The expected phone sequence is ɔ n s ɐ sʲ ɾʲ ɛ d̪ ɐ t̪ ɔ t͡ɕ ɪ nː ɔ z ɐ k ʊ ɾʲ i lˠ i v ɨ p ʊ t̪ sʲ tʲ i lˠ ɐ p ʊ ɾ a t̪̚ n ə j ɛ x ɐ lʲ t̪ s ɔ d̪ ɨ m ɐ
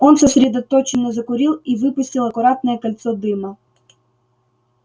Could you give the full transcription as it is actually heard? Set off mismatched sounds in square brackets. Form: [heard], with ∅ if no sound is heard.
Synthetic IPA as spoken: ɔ n s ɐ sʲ ɾʲ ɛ d̪ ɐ t̪ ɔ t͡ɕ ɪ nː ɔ z ɐ k ʊ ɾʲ i lˠ i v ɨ p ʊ [∅] sʲ tʲ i lˠ ɐ [k] ʊ ɾ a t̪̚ n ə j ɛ [k] ɐ lʲ t̪ s ɔ d̪ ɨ m ɐ